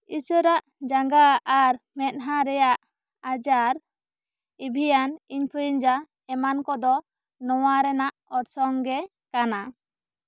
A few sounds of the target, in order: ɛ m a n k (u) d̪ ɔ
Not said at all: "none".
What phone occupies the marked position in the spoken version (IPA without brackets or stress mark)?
ɔ